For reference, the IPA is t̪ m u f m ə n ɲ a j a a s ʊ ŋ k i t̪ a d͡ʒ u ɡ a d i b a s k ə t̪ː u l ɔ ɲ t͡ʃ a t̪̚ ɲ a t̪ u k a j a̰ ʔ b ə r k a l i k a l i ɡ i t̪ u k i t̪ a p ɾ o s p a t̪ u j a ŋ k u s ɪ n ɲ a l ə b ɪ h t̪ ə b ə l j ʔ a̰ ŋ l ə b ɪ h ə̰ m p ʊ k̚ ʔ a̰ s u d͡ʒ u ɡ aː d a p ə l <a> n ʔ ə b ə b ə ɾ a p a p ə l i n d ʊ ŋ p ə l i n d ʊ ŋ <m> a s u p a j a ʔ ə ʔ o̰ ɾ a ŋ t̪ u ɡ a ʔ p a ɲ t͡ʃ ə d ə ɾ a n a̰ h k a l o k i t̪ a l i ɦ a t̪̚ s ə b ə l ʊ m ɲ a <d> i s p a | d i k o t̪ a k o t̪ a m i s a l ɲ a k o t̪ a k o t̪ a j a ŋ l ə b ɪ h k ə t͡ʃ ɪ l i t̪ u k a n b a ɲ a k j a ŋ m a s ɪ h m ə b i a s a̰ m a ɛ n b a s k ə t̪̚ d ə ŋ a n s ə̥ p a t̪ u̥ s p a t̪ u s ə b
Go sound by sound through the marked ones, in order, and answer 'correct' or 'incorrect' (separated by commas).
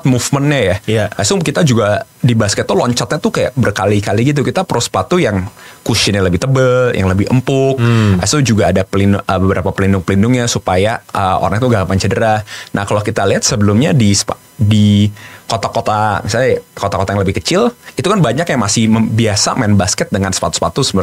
incorrect, incorrect, correct